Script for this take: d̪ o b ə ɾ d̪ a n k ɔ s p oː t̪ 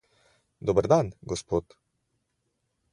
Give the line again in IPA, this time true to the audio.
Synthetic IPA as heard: d̪ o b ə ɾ d̪ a n ɡ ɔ s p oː t̪